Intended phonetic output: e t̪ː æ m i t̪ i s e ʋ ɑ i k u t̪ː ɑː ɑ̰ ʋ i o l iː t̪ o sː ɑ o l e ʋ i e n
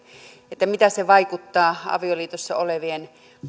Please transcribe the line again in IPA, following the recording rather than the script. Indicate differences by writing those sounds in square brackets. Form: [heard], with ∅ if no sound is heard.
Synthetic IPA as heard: e t̪ː æ m i t̪ [æ] s e ʋ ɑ i k u t̪ː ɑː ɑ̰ ʋ i o l iː t̪ o sː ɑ o l e ʋ i e n